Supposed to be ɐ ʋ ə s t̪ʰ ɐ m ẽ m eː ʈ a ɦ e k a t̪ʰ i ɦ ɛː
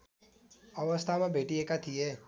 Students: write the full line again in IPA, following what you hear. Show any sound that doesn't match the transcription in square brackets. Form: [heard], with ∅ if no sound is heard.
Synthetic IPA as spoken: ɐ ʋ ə s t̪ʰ [a] m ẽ [b] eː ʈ [i] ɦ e k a t̪ʰ i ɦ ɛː